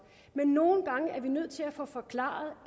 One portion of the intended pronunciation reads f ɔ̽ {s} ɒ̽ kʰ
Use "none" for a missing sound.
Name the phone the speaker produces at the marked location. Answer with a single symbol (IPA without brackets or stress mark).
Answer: f